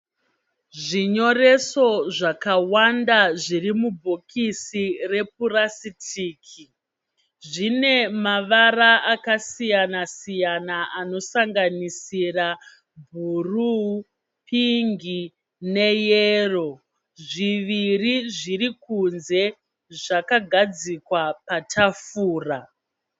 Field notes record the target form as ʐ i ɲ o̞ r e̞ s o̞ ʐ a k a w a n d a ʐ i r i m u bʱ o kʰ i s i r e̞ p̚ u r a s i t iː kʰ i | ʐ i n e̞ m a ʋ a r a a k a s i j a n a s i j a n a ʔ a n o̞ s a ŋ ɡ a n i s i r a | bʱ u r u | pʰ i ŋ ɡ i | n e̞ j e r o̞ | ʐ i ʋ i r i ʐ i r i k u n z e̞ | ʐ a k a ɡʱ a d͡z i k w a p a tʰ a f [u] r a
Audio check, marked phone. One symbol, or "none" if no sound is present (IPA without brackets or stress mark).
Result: uː